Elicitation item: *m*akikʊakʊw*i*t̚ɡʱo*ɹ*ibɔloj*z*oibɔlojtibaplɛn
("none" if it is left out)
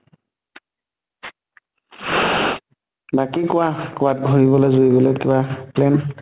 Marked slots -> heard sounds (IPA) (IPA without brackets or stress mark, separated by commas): b, a, ɹ, z